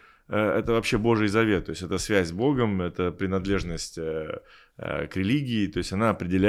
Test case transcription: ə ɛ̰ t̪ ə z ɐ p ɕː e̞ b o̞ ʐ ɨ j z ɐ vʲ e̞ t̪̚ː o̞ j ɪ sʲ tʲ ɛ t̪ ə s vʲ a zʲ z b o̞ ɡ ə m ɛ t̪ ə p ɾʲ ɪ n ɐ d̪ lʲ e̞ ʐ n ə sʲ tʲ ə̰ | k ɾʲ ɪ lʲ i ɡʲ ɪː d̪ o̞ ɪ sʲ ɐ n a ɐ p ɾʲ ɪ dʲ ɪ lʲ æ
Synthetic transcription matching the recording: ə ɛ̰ t̪ ə v ɐ p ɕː e̞ b o̞ ʐ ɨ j z ɐ vʲ e̞ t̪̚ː o̞ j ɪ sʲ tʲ ɛ t̪ ə s vʲ æ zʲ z b o̞ ɡ ə m ɛ t̪ ə p ɾʲ ɪ n ɐ d̪ lʲ e̞ ʐ n ə sʲ tʲ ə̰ | k ɾʲ ɪ lʲ i ɡʲ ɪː t̪ o̞ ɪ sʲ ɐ n a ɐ p ɾʲ ɪ dʲ ɪ lʲ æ